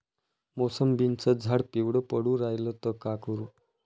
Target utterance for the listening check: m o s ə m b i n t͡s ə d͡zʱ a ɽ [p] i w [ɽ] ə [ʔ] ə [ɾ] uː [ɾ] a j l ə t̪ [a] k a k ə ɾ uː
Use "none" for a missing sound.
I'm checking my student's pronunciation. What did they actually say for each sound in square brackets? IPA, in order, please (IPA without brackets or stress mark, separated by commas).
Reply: p, ɽ, p, ɽ, ɾ, ə